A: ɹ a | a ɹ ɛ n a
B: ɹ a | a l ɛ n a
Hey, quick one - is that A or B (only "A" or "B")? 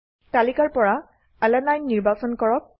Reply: B